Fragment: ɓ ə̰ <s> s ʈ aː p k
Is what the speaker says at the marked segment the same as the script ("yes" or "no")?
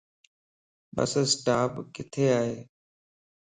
yes